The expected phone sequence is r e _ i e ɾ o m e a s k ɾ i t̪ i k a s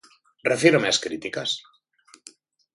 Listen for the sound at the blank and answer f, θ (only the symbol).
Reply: f